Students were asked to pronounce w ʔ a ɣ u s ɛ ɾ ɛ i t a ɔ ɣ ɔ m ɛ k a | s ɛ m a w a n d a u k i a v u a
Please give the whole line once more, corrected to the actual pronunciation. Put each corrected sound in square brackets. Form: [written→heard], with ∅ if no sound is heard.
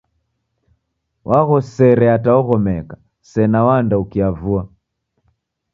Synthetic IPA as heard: w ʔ a ɣ [u→ɔ] s ɛ ɾ ɛ [i→a] t a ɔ ɣ ɔ m ɛ k a | s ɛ [m→n] a w a n d a u k i a v u a